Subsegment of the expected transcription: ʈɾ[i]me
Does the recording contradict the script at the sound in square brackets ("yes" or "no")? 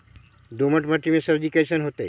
no